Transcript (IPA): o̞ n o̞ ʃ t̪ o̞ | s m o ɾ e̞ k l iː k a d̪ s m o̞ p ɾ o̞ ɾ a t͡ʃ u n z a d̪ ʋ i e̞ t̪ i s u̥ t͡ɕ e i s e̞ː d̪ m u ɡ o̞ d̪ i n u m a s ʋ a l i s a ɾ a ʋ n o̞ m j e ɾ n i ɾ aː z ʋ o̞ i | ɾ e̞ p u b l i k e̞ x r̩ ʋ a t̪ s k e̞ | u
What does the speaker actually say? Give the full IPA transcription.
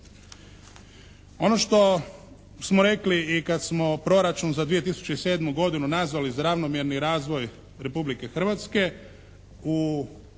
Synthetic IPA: o̞ n o̞ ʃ t̪ o̞ | s m o ɾ e̞ k l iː k a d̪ s m o̞ p ɾ o̞ ɾ a t͡ʃ u n z a d̪ ʋ i e̞ t̪ i s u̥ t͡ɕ e i s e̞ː d̪ m u ɡ o̞ d̪ i n u n a z ʋ a l i z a ɾ a ʋ n o̞ m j e ɾ n i ɾ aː z ʋ o̞ j | ɾ e̞ p u b l i k e̞ x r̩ ʋ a t̪ s k e̞ | u